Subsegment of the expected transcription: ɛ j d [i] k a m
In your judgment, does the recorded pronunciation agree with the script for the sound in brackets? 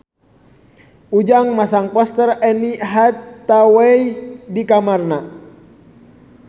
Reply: yes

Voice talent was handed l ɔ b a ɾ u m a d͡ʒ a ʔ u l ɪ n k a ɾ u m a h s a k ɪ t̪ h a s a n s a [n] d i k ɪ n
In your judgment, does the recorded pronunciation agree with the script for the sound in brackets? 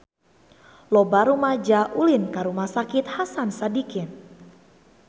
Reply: no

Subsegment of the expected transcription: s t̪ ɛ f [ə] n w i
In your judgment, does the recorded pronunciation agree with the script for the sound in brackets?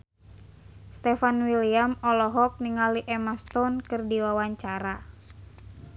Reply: no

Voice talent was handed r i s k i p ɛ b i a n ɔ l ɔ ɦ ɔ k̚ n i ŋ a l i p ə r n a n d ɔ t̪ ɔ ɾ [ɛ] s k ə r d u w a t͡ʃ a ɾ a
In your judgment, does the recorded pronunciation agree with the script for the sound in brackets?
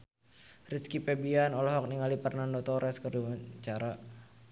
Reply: yes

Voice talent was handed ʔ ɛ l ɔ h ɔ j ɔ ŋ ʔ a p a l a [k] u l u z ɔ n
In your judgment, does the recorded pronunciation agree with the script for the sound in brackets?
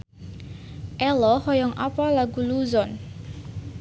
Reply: no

